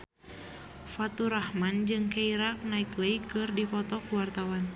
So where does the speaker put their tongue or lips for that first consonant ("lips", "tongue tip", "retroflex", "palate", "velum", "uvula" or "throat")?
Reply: lips